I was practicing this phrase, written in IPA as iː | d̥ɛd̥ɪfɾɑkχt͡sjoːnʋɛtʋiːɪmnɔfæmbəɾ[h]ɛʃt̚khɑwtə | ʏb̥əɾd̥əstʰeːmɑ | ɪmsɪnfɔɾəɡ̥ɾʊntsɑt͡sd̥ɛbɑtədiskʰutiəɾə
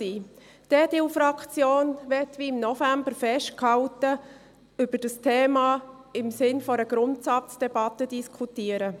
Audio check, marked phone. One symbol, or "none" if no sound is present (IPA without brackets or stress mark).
f